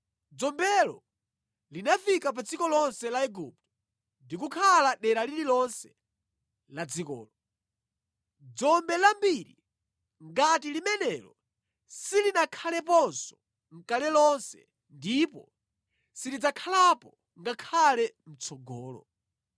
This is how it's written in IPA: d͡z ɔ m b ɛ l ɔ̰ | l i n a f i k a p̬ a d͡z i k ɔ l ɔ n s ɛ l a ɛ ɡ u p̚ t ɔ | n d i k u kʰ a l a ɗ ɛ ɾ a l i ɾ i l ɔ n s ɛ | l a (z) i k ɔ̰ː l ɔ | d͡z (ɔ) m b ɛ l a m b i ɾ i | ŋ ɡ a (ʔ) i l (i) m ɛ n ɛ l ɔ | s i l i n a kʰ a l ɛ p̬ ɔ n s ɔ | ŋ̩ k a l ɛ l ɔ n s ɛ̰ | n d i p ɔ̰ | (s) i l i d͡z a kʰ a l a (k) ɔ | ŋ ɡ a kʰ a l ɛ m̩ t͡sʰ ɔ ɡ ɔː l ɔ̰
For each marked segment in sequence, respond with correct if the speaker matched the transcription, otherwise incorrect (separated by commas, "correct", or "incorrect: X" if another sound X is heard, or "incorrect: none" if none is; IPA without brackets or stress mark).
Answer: incorrect: d͡z, correct, incorrect: t, correct, correct, incorrect: p